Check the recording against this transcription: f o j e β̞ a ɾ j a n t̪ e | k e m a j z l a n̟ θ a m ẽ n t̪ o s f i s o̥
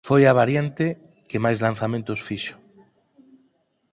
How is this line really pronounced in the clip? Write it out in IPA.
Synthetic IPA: f o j a β̞ a ɾ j a n t̪ e | k e m a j z l a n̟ θ a m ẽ n t̪ o s f i ʃ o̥